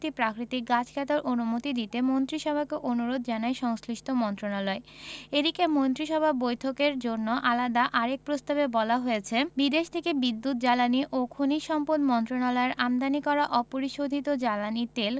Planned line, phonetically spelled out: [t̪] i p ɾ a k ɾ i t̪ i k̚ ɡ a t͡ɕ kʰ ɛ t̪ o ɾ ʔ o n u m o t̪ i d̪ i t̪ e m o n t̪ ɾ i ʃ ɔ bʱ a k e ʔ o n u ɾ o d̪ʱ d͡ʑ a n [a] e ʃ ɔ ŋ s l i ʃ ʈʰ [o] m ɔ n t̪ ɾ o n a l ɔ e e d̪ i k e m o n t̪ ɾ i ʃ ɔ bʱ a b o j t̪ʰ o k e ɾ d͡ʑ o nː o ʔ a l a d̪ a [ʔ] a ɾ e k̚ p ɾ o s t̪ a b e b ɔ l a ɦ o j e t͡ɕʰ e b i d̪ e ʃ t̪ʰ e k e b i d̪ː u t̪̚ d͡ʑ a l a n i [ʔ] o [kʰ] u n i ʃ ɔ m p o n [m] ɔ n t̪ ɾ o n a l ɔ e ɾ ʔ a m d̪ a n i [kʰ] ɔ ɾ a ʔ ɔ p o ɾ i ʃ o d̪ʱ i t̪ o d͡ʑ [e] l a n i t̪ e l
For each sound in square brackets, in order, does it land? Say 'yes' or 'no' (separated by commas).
yes, yes, yes, yes, yes, yes, yes, no, no